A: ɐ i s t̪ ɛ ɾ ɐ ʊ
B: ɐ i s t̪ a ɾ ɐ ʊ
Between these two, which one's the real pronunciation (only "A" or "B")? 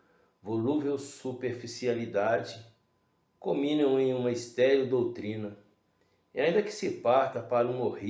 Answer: A